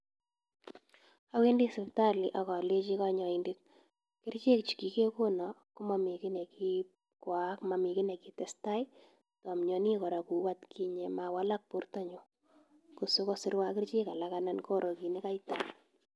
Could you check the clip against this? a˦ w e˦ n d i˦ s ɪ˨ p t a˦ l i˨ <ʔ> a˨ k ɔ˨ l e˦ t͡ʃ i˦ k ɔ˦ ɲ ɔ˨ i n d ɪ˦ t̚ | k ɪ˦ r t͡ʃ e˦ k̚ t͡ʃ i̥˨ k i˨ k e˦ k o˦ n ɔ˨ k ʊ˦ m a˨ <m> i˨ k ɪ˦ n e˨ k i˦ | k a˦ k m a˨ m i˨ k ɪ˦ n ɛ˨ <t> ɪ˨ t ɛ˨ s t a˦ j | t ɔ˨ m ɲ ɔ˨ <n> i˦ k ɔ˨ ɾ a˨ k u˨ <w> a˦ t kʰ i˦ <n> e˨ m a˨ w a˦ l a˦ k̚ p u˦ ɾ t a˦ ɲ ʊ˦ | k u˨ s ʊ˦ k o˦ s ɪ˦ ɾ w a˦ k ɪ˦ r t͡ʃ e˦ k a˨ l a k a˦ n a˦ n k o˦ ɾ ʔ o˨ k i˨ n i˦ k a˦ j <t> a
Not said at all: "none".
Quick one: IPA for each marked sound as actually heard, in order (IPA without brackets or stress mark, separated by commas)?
ʔ, m, k, n, w, ɲ, t